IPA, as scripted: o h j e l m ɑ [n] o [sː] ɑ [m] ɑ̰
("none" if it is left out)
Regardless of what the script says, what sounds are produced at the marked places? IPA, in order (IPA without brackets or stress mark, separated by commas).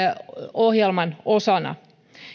n, s, n